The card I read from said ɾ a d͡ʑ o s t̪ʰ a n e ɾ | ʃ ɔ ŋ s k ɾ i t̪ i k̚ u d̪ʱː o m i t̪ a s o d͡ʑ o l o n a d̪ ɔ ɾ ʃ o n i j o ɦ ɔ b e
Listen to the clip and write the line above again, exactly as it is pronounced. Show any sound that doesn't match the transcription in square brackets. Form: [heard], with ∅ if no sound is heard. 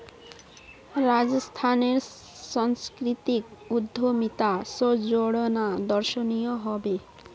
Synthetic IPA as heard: ɾ a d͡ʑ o s t̪ʰ a n e ɾ | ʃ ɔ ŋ s k ɾ i t̪ i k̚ u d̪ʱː o m i t̪ a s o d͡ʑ o [ɽ] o n a d̪ ɔ ɾ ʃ o n i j o ɦ ɔ b e